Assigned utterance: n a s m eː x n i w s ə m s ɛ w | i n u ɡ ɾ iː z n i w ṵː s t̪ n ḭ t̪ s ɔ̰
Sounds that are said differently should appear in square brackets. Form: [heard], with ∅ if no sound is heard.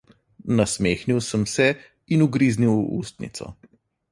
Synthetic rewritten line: n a s m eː x n i w s ə m s ɛ [∅] | i n u ɡ ɾ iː z n i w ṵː s t̪ n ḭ t̪ s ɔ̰